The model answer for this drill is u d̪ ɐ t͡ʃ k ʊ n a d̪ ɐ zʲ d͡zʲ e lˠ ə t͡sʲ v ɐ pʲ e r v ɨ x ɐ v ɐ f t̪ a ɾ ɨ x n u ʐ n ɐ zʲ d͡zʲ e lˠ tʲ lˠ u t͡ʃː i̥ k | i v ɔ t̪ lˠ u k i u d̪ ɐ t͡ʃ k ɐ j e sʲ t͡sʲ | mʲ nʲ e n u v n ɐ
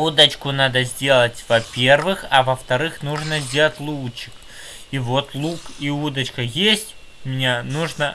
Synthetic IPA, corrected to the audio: u d̪ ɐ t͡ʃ k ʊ n a d̪ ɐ zʲ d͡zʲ e lˠ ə t͡sʲ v ɐ pʲ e r v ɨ x ɐ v ɐ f t̪ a ɾ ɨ x n u ʐ n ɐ zʲ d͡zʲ e lˠ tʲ lˠ u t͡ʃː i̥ k | i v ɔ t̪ lˠ u k i u d̪ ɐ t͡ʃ k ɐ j e sʲ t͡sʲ | mʲ nʲ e n u ʐ n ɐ